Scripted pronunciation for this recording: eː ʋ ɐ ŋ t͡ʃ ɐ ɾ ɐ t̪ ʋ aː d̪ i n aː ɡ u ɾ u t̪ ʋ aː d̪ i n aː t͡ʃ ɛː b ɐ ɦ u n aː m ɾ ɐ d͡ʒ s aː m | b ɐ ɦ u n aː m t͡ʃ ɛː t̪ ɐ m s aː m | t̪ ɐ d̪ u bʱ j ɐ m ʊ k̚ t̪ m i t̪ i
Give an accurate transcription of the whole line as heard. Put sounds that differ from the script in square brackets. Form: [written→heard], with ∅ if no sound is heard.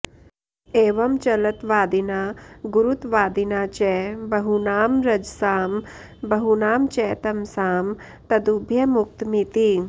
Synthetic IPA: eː ʋ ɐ [ŋ→m] t͡ʃ ɐ [ɾ→l] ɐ t̪ ʋ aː d̪ i n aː ɡ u ɾ u t̪ ʋ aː d̪ i n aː t͡ʃ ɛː b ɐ ɦ u n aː m ɾ ɐ d͡ʒ s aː m | b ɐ ɦ u n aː m t͡ʃ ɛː t̪ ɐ m s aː m | t̪ ɐ d̪ u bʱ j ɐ m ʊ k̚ t̪ m i t̪ i